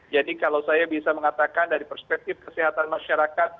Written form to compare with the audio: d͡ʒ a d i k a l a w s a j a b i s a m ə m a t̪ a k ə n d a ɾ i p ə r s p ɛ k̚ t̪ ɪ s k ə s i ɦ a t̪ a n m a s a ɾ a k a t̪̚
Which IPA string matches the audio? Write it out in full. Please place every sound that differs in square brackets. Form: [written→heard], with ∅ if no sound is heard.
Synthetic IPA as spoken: d͡ʒ a d i k a l a w s a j a b i s a m ə [m→ŋ] a t̪ a k [ə→a] n d a ɾ i p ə r s p ɛ k̚ t̪ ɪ [s→f] k ə s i ɦ a t̪ a n m a [s→ʃ] a ɾ a k a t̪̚